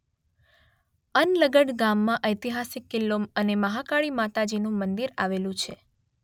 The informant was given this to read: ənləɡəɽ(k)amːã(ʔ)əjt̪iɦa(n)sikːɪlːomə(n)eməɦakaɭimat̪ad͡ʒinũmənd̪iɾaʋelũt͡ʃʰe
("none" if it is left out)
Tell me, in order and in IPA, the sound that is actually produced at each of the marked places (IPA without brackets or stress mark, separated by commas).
ɡ, ʔ, none, n